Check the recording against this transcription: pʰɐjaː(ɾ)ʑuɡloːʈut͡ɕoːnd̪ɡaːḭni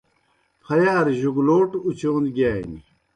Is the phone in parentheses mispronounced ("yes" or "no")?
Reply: no